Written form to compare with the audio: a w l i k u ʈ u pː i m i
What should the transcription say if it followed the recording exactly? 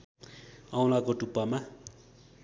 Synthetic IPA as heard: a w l a k o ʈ u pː a m a